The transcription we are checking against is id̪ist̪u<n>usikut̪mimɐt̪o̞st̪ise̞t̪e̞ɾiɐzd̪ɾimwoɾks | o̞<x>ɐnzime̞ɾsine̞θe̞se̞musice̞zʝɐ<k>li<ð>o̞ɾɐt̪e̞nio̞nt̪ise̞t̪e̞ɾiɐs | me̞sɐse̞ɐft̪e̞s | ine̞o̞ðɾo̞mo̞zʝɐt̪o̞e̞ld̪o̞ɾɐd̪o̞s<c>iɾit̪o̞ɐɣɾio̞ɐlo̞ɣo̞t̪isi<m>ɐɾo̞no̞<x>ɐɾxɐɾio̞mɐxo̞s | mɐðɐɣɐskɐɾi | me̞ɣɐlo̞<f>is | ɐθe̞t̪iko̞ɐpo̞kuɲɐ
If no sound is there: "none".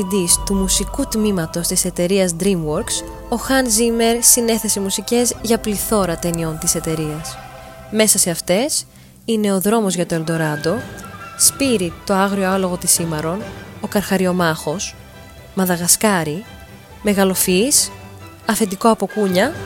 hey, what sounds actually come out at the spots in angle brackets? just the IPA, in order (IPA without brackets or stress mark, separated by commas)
m, x, p, θ, p, m, k, f